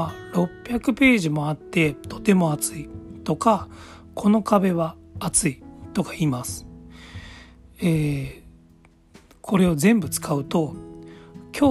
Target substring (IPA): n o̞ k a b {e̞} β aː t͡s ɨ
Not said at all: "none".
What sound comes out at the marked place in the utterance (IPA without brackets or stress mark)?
e̞